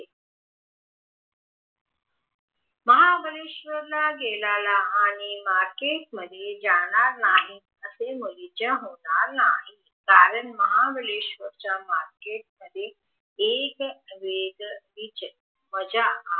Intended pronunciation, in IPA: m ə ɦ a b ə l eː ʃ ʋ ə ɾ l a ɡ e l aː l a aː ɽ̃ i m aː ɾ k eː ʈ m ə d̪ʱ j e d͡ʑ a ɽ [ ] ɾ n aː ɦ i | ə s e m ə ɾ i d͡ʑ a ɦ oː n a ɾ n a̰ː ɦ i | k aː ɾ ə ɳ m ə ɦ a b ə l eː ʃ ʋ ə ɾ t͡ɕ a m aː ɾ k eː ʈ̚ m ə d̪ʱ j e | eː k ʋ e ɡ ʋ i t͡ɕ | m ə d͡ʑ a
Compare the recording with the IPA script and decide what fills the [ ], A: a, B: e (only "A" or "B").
A